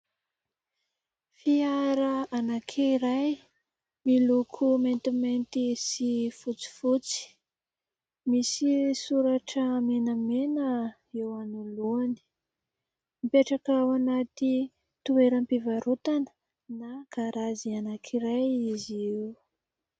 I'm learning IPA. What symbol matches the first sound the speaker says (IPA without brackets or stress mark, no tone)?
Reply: f